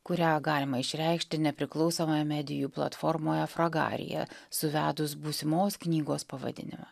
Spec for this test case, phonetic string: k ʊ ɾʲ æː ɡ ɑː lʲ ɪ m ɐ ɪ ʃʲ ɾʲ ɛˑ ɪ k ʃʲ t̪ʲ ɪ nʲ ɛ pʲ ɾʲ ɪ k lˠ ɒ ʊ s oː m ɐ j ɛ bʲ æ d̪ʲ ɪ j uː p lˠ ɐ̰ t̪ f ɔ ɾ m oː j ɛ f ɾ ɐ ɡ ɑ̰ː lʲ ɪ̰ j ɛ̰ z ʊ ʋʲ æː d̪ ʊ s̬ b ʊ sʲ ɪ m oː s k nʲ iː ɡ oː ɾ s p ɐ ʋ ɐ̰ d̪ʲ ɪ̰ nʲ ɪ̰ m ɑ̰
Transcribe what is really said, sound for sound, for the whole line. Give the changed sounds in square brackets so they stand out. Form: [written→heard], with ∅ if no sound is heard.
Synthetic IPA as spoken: k ʊ ɾʲ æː ɡ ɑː lʲ ɪ m ɐ ɪ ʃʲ ɾʲ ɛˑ ɪ k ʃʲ t̪ʲ ɪ nʲ ɛ pʲ ɾʲ ɪ k lˠ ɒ ʊ s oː m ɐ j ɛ [bʲ→mʲ] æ d̪ʲ ɪ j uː p lˠ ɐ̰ t̪ f ɔ ɾ m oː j ɛ f ɾ ɐ ɡ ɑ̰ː [lʲ→ɾʲ] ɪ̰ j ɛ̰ [z→s] ʊ ʋʲ æː d̪ ʊ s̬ b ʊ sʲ ɪ m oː s k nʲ iː ɡ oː [ɾ→∅] s p ɐ ʋ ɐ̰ d̪ʲ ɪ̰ nʲ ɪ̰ m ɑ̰